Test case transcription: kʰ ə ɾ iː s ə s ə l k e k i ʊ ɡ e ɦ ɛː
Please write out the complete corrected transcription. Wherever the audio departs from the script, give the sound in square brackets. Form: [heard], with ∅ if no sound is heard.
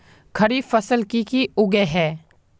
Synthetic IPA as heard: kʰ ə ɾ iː [f] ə s ə l k [i] k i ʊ ɡ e ɦ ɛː